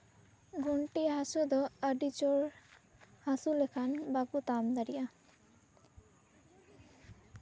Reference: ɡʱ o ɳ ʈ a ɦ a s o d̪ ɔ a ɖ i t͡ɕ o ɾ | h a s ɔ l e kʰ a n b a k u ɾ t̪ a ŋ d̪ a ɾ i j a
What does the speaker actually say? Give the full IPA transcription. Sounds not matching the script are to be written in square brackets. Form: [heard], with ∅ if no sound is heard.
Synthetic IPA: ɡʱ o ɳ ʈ [i] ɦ a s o d̪ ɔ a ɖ i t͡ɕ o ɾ | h a s [u] l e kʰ a n b a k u [∅] t̪ a [m] d̪ a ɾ i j a